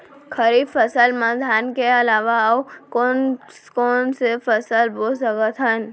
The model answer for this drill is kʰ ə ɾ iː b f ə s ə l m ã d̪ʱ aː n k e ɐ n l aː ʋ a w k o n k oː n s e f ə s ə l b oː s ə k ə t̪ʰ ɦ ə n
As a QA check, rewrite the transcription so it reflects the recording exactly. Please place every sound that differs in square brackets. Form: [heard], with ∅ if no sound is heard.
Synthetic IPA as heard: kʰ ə ɾ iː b f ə s ə l m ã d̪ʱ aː n k e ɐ [∅] l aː ʋ a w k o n k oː n s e f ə s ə l b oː s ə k ə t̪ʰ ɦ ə n